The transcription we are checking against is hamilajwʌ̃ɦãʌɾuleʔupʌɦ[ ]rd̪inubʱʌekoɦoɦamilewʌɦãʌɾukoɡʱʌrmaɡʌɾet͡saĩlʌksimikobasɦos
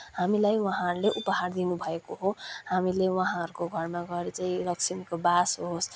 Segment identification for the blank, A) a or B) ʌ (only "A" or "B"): A